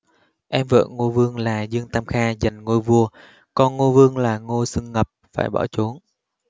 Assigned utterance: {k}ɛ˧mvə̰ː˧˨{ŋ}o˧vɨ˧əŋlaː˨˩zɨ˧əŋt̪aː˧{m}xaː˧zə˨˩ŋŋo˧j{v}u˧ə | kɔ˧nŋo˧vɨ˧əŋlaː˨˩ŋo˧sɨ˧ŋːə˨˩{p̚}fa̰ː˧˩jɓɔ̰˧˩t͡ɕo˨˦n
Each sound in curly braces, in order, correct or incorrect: incorrect: ʔ, correct, correct, correct, correct

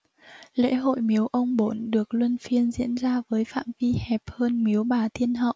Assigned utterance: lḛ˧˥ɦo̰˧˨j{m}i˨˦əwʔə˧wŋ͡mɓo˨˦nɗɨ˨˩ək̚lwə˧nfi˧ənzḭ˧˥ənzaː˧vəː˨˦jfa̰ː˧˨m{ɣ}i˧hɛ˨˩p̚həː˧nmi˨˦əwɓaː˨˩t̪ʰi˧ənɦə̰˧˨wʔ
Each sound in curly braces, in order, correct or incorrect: correct, incorrect: v

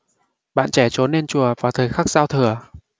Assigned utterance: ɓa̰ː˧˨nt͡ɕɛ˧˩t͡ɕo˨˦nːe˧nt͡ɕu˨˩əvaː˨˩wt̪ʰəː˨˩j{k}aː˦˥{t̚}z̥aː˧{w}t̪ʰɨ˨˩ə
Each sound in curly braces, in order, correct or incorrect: incorrect: x, incorrect: k̚, correct

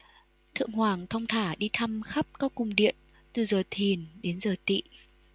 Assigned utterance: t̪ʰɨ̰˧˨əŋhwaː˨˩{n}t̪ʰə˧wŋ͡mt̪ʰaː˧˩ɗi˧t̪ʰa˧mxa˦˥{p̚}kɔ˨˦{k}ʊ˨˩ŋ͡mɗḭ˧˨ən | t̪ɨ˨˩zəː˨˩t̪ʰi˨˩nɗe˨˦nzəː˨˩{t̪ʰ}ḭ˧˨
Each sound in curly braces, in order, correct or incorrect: incorrect: ŋ, correct, correct, incorrect: t̪

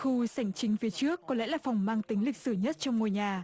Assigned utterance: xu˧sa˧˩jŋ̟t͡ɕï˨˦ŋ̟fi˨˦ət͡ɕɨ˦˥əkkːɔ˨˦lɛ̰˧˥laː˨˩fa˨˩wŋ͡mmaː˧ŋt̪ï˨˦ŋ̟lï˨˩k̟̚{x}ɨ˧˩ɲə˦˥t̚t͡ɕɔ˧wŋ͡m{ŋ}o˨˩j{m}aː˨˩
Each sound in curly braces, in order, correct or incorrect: incorrect: s, correct, incorrect: ɲ

